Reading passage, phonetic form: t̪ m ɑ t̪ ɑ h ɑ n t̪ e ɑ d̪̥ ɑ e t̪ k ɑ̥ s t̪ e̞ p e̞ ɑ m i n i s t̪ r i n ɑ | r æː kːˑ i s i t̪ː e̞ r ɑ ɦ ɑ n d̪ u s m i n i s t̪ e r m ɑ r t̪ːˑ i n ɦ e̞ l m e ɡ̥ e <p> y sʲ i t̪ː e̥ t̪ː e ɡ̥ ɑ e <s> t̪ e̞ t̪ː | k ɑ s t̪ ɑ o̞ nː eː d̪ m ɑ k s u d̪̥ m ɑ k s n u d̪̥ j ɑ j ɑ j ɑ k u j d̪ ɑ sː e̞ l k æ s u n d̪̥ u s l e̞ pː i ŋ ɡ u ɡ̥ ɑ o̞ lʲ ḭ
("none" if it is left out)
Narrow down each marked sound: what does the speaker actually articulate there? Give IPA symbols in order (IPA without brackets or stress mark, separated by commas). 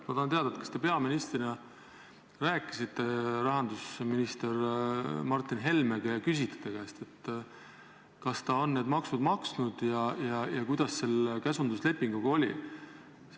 k, s